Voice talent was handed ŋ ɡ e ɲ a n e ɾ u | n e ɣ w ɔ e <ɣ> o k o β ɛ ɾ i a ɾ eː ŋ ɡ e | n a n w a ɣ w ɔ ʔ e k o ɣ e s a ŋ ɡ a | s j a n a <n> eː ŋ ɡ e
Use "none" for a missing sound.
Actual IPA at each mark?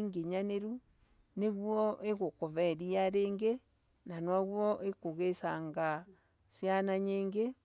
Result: ɣ, ɲ

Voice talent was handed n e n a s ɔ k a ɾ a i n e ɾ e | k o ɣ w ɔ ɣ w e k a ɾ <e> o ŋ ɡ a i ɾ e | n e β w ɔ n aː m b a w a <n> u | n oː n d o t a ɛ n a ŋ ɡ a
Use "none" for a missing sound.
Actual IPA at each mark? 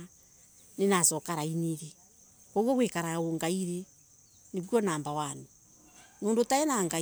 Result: a, n

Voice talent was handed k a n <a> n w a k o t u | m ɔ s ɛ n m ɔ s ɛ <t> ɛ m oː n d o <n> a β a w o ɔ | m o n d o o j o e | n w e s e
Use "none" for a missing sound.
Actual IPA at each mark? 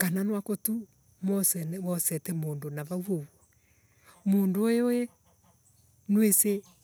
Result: a, t, n

